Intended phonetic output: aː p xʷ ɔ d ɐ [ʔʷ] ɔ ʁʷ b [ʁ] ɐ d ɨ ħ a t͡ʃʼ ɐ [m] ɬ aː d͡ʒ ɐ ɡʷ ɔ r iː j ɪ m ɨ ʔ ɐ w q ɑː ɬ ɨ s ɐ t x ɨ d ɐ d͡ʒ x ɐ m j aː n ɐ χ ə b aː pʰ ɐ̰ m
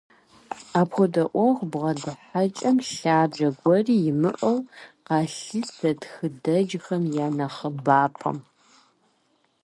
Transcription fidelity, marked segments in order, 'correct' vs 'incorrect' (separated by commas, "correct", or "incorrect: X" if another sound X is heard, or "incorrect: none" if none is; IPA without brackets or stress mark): correct, correct, correct